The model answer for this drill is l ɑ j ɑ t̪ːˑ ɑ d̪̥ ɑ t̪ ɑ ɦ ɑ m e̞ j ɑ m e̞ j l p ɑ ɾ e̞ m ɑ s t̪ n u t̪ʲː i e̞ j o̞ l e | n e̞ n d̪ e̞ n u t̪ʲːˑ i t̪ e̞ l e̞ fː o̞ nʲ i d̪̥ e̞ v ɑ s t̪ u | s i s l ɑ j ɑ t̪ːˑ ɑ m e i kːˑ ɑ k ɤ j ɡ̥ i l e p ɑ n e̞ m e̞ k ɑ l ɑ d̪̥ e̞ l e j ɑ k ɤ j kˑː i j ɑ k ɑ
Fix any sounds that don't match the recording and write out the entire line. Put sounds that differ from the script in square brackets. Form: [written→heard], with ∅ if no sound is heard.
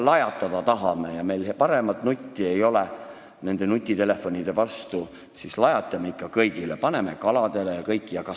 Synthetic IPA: l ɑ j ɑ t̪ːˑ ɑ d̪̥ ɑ t̪ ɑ ɦ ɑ m e̞ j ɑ m e̞ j l p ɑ ɾ e̞ m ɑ [s→∅] t̪ n u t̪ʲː i e̞ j o̞ l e | n e̞ n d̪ e̞ n u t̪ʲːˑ i t̪ e̞ l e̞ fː o̞ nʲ i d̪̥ e̞ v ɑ s t̪ u | s i s l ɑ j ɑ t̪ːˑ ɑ m e i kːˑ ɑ k ɤ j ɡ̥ i l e p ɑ n e̞ m e̞ k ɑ l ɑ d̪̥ e̞ l e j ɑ k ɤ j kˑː i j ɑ k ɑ